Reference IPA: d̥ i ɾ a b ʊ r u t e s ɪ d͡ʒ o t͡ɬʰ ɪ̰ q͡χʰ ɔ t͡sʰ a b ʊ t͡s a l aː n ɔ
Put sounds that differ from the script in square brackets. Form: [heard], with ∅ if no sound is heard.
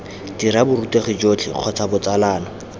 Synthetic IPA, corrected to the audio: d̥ i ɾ a b ʊ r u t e [χ] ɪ d͡ʒ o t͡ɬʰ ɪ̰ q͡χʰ ɔ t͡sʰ a b ʊ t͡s a l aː n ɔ